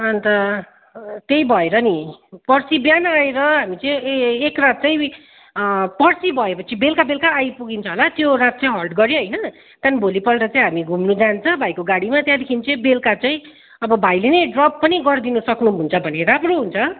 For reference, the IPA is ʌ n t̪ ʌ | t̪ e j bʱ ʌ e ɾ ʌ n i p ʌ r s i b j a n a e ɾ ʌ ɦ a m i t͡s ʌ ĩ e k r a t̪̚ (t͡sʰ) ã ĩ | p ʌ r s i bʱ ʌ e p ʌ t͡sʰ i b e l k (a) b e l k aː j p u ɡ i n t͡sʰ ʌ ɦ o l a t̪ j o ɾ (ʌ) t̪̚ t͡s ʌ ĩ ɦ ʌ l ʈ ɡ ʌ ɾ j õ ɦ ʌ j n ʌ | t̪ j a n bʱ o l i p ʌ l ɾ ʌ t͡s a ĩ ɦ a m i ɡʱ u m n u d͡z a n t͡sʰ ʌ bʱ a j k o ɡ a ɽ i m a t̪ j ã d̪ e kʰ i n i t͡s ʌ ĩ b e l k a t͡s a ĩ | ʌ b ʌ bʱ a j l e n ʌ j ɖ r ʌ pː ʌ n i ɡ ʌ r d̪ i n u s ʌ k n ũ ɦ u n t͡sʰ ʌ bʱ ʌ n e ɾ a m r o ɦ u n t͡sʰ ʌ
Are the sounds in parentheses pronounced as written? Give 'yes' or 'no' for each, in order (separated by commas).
no, yes, no